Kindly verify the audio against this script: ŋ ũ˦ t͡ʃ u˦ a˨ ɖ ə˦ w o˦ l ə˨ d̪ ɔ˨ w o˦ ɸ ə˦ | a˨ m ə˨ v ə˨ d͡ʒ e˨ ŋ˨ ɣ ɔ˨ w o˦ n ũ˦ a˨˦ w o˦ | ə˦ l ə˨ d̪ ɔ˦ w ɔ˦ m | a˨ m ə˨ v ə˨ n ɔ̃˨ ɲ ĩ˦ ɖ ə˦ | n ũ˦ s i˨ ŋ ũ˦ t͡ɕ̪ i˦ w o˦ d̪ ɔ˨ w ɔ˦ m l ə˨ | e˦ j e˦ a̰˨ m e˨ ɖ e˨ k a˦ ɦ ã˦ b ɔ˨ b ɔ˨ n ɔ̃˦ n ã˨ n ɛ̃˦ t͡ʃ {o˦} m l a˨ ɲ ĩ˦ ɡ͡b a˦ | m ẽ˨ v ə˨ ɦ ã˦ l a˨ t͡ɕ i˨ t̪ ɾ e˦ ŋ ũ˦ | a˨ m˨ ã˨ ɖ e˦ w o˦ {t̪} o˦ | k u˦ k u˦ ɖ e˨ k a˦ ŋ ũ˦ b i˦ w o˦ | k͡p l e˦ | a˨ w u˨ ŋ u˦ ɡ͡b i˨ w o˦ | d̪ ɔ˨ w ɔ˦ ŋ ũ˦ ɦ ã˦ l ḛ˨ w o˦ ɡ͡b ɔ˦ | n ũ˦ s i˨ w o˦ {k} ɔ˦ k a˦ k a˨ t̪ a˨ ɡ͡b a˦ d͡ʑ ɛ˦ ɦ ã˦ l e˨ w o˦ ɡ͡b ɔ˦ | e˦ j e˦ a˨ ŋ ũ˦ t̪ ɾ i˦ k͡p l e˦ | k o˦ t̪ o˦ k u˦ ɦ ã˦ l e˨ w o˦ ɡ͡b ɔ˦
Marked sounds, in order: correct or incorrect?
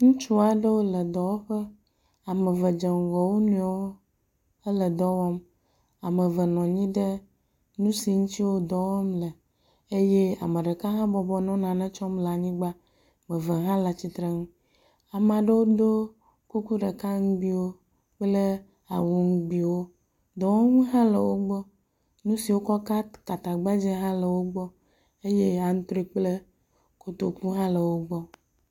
incorrect: ɔ˦, incorrect: d̪, correct

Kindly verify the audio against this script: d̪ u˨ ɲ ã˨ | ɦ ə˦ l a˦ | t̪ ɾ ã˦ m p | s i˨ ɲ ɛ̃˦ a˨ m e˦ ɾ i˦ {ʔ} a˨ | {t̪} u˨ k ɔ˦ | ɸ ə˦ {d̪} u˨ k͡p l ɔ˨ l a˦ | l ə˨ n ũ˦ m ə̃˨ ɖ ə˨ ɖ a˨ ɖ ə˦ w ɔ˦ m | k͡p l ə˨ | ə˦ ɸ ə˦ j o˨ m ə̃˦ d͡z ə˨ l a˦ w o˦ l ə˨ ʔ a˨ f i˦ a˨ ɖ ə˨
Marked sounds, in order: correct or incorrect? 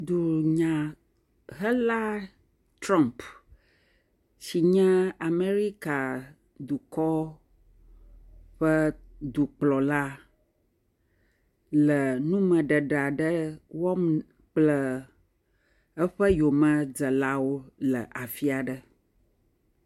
incorrect: k, incorrect: d̪, correct

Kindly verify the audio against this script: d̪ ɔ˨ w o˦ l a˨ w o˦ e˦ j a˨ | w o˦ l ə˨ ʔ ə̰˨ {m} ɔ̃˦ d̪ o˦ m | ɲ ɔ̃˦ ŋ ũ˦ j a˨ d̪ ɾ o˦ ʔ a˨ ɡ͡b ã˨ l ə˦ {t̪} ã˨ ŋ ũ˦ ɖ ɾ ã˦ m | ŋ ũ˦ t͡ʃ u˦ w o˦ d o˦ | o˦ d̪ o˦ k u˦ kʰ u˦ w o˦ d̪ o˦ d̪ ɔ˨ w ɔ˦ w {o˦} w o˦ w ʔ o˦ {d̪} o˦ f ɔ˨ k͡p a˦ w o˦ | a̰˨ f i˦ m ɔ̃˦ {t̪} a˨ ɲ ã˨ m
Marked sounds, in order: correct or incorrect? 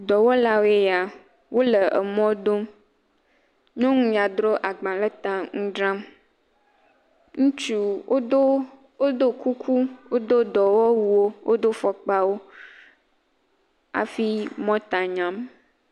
correct, correct, incorrect: u˦, correct, correct

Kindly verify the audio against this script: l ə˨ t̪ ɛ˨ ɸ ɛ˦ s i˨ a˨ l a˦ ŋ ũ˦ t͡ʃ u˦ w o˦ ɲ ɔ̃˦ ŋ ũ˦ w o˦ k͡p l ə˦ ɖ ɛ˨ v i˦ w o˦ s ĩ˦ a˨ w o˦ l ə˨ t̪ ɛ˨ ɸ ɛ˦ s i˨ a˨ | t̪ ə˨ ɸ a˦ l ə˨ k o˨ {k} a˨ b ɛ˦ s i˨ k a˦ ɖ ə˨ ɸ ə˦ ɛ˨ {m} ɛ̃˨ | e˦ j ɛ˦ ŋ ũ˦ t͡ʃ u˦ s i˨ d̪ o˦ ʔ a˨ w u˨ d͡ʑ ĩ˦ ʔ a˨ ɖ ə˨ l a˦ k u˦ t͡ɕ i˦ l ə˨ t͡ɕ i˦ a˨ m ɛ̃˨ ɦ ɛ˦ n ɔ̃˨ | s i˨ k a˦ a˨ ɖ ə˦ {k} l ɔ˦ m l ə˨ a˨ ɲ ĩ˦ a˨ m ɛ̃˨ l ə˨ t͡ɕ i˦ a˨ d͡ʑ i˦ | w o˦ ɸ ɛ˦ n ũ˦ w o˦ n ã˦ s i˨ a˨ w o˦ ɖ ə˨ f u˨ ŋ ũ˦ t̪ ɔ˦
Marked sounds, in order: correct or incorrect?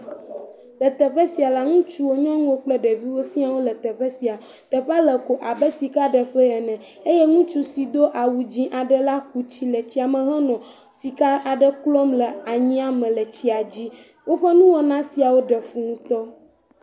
incorrect: ʔ, incorrect: n, correct

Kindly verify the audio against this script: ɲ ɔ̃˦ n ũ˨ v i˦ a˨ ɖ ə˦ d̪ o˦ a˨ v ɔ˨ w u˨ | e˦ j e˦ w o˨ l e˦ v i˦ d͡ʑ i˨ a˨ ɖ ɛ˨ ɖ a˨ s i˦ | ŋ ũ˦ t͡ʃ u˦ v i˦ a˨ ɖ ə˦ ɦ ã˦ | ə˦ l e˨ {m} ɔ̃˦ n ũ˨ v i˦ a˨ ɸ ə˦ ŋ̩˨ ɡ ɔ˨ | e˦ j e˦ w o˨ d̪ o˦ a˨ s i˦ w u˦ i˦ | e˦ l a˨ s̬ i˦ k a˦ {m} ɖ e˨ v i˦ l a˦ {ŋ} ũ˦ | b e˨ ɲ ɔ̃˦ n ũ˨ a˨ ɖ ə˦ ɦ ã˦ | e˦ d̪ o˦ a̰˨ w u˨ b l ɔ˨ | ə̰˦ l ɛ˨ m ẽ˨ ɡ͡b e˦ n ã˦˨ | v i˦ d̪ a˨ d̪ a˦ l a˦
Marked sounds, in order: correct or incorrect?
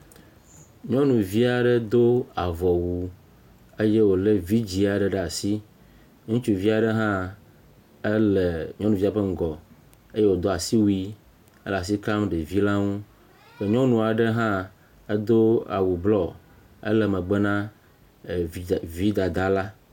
incorrect: ɲ, correct, correct

